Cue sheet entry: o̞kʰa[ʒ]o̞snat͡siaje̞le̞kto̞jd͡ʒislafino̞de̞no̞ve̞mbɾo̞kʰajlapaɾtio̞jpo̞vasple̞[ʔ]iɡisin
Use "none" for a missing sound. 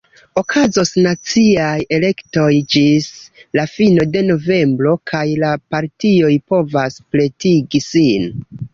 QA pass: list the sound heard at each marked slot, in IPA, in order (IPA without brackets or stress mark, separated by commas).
z, t